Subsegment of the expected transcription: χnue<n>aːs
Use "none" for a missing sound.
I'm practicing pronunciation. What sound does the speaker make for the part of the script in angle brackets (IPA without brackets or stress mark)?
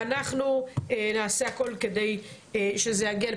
n